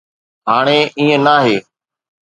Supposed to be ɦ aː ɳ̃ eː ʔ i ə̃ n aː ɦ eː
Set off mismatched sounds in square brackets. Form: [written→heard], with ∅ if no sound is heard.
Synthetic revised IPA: ɦ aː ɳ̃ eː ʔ [i→iː] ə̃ n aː ɦ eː